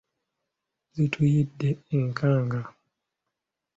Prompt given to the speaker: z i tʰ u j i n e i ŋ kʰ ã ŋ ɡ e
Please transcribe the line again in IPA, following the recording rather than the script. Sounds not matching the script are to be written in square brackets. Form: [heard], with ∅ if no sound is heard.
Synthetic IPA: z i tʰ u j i [d] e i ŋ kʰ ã ŋ ɡ [a]